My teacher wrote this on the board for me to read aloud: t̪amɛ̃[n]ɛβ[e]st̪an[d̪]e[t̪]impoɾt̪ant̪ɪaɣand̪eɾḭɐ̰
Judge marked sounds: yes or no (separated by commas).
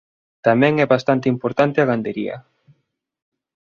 no, no, no, no